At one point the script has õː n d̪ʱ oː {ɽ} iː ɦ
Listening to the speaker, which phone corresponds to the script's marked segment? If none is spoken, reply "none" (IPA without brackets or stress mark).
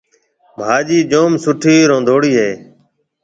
ɽ